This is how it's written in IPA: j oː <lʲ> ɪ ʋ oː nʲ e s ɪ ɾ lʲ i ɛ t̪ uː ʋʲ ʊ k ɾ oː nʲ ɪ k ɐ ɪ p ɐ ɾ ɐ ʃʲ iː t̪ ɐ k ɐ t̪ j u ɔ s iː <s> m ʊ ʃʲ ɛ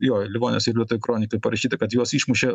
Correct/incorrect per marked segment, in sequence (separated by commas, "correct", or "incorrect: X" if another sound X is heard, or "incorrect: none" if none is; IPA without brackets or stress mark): correct, incorrect: ʃ